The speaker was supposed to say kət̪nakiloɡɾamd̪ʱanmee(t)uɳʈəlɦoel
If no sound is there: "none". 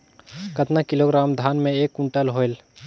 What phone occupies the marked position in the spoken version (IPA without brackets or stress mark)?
k